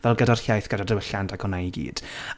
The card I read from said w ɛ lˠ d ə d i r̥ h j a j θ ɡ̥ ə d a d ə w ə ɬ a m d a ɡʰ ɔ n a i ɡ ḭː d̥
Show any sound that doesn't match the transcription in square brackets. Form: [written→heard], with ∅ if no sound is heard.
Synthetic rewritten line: [w→v] ɛ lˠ [d→ɡ] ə d [i→a] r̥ h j a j θ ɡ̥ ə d a d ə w ə ɬ a [m→n] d a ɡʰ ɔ n a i ɡ ḭː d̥